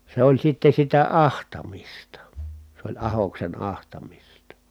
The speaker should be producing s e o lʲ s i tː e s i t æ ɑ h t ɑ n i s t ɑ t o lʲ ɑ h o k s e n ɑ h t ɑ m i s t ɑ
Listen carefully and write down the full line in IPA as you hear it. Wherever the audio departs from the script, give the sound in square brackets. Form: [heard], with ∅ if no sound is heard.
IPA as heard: s e o lʲ s i tː e s i t æ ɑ h t ɑ [m] i s t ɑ [s] o lʲ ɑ h o k s e n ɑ h t ɑ m i s t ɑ